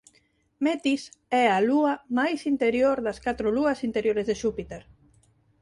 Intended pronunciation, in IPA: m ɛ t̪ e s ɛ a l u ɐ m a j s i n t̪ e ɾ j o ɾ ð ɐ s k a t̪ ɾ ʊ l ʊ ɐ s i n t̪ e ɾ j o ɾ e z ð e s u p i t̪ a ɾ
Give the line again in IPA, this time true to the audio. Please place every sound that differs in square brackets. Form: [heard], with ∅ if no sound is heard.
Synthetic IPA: m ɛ t̪ [i] s ɛ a l u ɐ m a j s i n t̪ e ɾ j o ɾ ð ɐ s k a t̪ ɾ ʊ l [u] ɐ s i n t̪ e ɾ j o ɾ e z ð e [ʃ] u p i t̪ [e] ɾ